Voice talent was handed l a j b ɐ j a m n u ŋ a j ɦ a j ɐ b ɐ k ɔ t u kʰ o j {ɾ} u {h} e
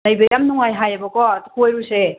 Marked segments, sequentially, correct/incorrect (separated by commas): correct, incorrect